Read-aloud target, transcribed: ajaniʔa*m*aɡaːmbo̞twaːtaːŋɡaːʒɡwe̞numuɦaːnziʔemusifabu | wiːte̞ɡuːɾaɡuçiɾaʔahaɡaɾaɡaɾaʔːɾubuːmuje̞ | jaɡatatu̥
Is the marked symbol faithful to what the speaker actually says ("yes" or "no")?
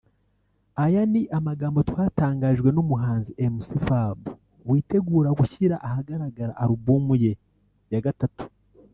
yes